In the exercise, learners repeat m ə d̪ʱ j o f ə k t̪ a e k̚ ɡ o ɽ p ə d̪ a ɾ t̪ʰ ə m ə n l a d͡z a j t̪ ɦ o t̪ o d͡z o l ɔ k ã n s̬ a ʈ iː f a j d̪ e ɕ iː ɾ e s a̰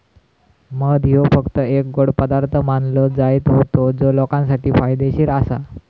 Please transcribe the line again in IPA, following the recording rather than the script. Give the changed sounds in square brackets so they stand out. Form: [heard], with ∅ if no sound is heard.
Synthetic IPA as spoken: m ə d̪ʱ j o f ə k t̪ [ə] e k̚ ɡ o ɽ p ə d̪ a ɾ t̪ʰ ə m [a] n l [ə] d͡z a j t̪ ɦ o t̪ o d͡z o l ɔ k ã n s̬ a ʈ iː f a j d̪ e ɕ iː ɾ [a] s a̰